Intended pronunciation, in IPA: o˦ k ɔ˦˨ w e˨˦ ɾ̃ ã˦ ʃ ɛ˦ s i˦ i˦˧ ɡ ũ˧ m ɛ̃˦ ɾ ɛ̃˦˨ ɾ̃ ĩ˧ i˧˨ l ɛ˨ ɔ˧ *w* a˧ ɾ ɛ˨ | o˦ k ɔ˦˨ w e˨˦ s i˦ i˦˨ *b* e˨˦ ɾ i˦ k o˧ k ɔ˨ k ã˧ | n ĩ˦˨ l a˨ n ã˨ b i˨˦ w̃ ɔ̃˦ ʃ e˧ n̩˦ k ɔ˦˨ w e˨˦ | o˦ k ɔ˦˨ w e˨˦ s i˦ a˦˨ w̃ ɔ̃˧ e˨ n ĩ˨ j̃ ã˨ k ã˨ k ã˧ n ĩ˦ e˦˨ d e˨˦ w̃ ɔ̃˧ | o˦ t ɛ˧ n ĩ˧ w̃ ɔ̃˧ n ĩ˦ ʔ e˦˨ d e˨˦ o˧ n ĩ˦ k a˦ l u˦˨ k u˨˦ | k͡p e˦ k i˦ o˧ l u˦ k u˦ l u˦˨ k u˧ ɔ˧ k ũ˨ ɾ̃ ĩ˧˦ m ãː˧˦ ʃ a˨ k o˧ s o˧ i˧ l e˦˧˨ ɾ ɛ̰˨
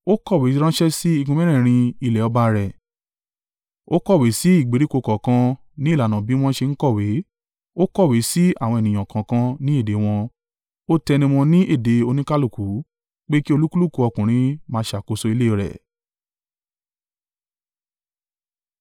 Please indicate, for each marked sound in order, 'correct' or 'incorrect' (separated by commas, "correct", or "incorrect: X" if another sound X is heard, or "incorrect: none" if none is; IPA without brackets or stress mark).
incorrect: b, incorrect: ɡ͡b